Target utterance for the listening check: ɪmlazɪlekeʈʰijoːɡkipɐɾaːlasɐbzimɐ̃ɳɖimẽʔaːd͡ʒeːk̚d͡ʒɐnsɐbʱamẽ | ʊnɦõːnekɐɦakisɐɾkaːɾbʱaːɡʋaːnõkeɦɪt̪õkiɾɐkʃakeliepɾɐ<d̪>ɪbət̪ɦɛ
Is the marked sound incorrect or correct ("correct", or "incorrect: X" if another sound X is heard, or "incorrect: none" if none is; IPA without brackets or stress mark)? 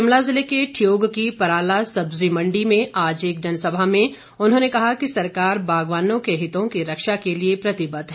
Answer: incorrect: t̪